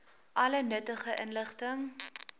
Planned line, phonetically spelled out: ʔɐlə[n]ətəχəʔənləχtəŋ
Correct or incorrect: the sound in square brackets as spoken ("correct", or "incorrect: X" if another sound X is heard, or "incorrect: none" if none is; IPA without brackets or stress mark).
correct